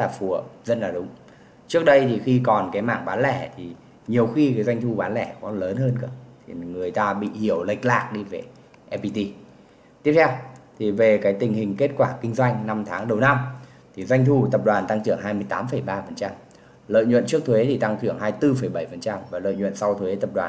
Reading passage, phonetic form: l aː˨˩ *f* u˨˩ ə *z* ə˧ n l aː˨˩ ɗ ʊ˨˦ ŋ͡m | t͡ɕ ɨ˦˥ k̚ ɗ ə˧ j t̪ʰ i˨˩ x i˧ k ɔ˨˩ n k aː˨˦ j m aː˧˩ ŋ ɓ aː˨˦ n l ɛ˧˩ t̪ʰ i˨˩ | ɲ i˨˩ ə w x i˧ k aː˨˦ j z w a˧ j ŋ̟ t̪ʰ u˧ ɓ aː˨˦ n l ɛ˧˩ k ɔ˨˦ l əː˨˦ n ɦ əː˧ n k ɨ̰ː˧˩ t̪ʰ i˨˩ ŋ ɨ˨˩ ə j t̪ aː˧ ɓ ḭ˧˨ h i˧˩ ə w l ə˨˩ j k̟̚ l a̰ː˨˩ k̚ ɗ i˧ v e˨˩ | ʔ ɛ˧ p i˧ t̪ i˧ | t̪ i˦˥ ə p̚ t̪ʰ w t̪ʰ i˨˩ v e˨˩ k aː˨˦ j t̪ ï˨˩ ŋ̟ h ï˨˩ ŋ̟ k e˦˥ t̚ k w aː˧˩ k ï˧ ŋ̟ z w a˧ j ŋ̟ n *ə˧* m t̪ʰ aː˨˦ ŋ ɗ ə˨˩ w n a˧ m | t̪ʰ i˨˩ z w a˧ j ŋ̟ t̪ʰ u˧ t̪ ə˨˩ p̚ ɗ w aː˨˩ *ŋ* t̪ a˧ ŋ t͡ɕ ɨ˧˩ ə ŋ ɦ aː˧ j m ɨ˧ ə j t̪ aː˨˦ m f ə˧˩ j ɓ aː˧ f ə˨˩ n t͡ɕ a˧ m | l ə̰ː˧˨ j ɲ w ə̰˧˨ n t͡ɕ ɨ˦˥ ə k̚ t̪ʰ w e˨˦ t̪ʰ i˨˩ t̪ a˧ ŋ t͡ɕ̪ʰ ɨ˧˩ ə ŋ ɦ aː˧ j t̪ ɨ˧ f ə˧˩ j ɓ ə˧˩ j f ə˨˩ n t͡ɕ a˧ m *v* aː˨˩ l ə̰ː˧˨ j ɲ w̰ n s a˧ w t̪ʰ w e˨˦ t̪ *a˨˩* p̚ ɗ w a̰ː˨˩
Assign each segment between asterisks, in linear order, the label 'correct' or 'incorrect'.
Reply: correct, correct, incorrect: a˧, incorrect: n, correct, incorrect: ə˨˩

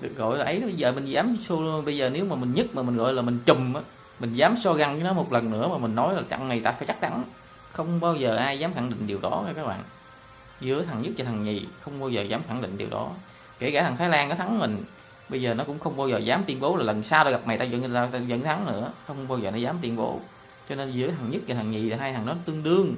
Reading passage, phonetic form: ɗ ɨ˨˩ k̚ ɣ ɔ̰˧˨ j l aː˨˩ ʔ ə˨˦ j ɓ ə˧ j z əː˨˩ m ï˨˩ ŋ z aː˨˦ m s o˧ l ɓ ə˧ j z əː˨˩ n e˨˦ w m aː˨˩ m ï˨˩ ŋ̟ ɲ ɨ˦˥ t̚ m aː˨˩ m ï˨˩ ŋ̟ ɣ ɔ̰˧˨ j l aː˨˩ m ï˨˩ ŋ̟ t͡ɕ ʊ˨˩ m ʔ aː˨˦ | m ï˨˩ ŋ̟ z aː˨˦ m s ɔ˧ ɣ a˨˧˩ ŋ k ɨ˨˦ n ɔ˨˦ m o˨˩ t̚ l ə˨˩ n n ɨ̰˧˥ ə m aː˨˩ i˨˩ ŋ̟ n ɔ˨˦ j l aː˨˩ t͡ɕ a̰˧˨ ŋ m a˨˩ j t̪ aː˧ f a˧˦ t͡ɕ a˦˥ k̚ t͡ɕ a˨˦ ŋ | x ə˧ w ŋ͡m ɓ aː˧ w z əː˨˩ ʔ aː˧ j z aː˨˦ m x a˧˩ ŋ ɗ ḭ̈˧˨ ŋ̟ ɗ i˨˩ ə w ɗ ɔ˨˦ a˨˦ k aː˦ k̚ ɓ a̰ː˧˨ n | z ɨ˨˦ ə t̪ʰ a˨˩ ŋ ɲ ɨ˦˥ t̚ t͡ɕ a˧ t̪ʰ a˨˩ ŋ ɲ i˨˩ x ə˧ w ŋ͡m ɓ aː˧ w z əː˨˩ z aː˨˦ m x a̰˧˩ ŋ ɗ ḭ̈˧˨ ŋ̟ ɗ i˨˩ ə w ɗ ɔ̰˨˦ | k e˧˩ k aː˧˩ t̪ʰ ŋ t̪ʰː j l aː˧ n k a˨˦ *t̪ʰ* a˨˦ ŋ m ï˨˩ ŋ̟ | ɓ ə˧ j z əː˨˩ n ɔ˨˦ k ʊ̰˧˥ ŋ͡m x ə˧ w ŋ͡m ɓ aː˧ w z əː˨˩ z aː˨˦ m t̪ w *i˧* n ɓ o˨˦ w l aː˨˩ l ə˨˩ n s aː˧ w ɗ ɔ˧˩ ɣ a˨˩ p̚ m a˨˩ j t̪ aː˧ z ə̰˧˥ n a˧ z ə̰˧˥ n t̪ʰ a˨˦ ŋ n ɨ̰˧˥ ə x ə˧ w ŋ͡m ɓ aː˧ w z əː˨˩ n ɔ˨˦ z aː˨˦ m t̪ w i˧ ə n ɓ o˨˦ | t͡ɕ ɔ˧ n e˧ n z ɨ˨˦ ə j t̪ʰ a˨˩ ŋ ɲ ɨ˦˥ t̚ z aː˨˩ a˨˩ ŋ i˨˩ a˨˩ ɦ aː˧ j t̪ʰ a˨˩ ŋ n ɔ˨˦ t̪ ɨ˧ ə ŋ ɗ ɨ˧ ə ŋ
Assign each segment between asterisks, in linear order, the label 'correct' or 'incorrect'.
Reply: correct, correct

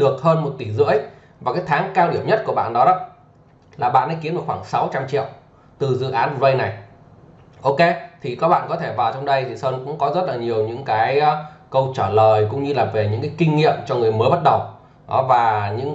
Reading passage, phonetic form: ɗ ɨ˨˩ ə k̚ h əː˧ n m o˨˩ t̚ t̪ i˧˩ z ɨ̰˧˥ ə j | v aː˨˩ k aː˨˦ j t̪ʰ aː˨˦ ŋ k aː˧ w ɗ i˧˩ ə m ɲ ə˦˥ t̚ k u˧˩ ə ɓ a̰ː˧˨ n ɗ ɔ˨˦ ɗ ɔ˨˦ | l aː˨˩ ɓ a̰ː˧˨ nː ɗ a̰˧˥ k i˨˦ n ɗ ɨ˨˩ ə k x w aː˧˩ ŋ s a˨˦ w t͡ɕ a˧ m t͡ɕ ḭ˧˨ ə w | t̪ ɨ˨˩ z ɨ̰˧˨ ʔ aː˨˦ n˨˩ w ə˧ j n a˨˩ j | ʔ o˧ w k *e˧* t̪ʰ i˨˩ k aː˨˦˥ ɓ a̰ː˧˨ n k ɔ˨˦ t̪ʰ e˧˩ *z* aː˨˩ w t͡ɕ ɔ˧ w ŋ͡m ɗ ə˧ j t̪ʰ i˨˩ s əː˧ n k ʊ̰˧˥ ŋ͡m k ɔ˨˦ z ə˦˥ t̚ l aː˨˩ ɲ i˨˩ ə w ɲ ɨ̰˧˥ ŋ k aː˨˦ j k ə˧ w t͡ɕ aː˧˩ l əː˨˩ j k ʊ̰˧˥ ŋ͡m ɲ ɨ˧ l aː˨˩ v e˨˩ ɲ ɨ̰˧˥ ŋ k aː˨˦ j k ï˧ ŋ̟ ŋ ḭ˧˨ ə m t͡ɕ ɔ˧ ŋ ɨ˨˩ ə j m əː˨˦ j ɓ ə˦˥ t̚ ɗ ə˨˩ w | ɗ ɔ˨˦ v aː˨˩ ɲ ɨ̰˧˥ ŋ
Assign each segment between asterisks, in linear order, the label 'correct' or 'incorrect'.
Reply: correct, incorrect: v

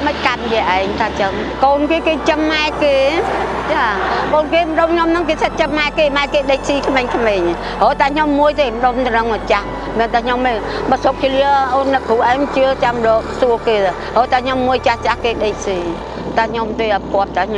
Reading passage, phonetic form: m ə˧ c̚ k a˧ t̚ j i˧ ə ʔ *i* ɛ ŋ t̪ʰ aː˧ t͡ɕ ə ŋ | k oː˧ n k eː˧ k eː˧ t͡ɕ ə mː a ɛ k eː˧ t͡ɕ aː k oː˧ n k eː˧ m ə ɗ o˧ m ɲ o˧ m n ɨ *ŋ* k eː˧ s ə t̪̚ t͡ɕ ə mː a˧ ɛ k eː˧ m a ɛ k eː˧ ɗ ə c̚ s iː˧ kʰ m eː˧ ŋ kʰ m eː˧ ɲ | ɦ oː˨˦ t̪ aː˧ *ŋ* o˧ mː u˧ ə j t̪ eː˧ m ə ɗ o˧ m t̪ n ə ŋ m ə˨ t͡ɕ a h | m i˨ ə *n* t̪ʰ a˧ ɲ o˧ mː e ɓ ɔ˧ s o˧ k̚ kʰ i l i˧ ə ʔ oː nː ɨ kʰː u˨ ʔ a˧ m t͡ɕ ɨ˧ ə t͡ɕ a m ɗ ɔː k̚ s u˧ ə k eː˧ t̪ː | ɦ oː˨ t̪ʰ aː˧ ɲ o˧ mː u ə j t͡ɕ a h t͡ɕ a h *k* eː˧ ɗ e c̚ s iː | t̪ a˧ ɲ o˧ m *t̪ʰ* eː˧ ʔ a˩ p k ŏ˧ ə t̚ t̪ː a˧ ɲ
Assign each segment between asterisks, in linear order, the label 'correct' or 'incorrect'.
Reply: incorrect: a, correct, incorrect: ɲ, correct, correct, incorrect: t̪

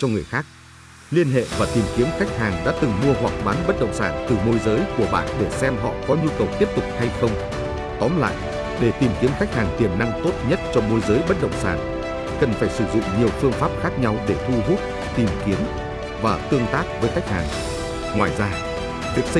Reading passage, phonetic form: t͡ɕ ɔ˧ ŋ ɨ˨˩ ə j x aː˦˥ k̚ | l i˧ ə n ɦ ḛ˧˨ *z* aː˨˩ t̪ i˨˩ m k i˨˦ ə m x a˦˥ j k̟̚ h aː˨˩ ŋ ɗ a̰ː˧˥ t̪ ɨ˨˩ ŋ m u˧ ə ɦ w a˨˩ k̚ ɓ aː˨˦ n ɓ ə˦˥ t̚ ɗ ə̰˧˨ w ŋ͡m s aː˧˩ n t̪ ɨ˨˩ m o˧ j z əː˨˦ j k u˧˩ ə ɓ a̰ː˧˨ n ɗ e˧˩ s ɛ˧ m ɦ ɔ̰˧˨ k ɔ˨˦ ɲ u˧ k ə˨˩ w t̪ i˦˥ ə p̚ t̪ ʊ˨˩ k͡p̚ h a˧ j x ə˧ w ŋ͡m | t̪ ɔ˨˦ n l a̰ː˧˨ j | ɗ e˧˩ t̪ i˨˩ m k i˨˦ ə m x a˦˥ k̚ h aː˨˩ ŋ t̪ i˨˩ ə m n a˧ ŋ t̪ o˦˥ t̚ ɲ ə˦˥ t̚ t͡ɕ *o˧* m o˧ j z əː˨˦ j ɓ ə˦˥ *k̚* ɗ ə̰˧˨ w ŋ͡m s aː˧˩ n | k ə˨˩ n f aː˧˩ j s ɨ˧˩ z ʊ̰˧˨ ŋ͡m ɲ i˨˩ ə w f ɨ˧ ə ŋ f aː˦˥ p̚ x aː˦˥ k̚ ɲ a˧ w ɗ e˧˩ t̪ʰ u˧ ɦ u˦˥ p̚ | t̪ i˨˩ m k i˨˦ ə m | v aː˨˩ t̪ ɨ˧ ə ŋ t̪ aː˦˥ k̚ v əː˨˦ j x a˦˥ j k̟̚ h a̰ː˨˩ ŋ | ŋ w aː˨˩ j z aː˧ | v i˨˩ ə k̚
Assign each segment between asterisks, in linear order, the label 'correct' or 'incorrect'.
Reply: incorrect: v, incorrect: ɔ˧, incorrect: t̚

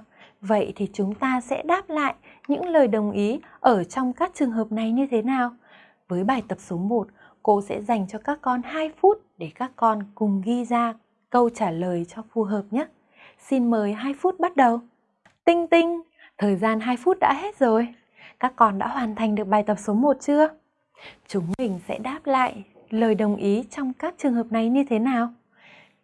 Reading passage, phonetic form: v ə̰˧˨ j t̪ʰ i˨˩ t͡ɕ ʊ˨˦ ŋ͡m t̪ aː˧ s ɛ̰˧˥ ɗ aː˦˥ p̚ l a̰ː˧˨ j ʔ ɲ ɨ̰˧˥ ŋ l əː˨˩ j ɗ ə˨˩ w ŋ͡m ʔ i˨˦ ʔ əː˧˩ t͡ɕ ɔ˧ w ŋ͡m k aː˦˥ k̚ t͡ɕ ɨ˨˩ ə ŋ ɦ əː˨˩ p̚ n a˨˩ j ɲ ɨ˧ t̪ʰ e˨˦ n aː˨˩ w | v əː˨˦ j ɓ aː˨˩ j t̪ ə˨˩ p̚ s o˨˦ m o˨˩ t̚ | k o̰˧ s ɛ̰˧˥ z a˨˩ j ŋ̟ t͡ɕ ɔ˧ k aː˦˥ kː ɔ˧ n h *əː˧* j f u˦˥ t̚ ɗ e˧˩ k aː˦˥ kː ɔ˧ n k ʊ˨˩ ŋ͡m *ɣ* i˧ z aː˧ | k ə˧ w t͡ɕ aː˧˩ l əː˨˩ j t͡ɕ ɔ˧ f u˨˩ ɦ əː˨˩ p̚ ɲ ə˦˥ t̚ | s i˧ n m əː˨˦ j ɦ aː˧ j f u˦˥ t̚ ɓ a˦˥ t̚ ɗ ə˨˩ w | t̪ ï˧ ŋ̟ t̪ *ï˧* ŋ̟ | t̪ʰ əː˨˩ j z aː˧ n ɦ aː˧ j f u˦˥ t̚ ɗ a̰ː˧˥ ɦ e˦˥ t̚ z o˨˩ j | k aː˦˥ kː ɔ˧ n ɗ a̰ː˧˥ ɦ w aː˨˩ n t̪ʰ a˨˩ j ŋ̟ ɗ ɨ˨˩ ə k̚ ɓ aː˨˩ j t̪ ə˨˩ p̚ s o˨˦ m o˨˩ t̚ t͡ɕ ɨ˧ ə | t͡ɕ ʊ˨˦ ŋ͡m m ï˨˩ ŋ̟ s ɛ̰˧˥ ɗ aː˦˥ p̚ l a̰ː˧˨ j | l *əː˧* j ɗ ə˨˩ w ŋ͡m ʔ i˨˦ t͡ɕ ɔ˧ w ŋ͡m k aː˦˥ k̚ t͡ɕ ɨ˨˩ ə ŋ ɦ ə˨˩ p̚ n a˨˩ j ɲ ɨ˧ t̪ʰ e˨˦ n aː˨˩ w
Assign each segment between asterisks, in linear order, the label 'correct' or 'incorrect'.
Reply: incorrect: aː˧, correct, correct, incorrect: əː˨˩

